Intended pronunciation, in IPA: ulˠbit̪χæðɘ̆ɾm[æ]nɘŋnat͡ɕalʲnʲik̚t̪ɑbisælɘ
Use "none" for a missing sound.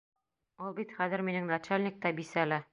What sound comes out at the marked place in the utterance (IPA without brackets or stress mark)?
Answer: i